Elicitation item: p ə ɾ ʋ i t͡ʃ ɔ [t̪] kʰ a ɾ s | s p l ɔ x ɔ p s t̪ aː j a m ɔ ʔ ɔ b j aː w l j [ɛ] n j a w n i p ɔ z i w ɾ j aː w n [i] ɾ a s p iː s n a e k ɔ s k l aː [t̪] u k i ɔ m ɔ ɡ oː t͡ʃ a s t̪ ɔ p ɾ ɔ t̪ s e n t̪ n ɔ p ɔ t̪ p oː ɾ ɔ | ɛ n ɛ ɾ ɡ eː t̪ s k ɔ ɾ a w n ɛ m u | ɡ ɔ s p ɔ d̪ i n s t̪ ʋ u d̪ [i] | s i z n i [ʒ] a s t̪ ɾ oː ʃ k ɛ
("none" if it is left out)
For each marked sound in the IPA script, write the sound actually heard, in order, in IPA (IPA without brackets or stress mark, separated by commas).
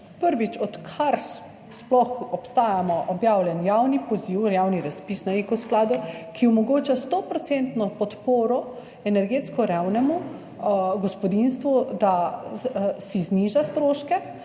t̪, ɛ, i, d̪, a, ʒ